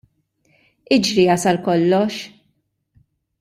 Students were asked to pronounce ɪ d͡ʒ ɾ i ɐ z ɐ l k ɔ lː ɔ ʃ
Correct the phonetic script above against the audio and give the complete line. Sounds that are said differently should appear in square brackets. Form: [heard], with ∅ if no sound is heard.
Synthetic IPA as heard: ɪ d͡ʒ ɾ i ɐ [s] ɐ l k ɔ lː ɔ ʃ